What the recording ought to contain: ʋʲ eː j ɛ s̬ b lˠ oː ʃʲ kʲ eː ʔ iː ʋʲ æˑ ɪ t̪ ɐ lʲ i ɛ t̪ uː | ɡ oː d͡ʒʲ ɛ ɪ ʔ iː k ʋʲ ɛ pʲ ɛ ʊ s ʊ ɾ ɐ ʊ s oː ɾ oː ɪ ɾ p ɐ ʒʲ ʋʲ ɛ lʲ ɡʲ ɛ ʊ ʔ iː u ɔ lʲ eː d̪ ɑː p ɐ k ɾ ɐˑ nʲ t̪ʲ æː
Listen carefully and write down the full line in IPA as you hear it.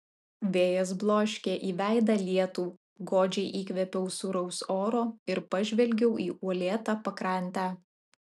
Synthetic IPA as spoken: ʋʲ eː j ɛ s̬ b lˠ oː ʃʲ kʲ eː ʔ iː ʋʲ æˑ ɪ d̪ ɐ lʲ i ɛ t̪ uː | ɡ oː d͡ʒʲ ɛ ɪ ʔ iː k ʋʲ ɛ pʲ ɛ ʊ s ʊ ɾ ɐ ʊ s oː ɾ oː ɪ ɾ p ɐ ʒʲ ʋʲ ɛ lʲ ɡʲ ɛ ʊ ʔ iː u ɔ lʲ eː t̪ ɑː p ɐ k ɾ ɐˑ nʲ t̪ʲ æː

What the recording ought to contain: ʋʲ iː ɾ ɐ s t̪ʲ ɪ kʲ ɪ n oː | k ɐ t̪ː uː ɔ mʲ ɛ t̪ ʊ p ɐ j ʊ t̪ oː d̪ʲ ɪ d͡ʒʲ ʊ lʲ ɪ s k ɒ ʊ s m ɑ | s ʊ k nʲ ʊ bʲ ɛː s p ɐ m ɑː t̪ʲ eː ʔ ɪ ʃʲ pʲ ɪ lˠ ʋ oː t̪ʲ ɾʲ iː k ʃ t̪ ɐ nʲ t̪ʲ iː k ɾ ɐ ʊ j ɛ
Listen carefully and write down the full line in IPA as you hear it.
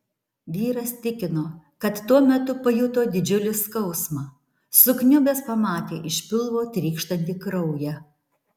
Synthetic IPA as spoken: ʋʲ iː ɾ ɐ s t̪ʲ ɪ kʲ ɪ n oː | k ɐ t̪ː u ɔ mʲ ɛ t̪ ʊ p ɐ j ʊ t̪ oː d̪ʲ ɪ d͡ʒʲ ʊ lʲ ɪ s k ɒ ʊ s m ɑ | s ʊ k nʲ ʊ bʲ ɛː s p ɐ m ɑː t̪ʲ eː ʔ ɪ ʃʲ pʲ ɪ lˠ ʋ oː t̪ʲ ɾʲ iː k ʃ t̪ ɐ nʲ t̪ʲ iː k ɾ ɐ ʊ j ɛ

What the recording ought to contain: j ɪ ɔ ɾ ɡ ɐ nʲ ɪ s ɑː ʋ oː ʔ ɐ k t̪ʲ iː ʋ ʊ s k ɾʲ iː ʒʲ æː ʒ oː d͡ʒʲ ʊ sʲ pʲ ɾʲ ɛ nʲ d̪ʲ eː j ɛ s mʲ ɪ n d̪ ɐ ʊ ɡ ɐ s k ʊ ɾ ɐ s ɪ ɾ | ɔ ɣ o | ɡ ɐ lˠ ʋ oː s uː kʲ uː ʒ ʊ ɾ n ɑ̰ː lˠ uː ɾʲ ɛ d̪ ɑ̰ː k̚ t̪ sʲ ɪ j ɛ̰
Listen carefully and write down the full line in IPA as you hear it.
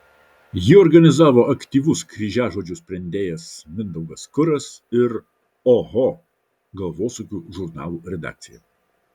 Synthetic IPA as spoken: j ɪ ɔ ɾ ɡ ɐ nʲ ɪ z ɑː ʋ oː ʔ ɐ k t̪ʲ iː ʋ ʊ s k ɾʲ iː ʒʲ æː ʒ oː d͡ʒʲ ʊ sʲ pʲ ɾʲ ɛ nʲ d̪ʲ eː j ɛ s mʲ ɪ n d̪ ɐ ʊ ɡ ɐ s k ʊ ɾ ɐ s ɪ ɾ | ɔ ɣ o | ɡ ɐ lˠ ʋ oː s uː kʲ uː ʒ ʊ ɾ n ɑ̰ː lˠ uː ɾʲ ɛ d̪ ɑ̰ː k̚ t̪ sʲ ɪ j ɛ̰

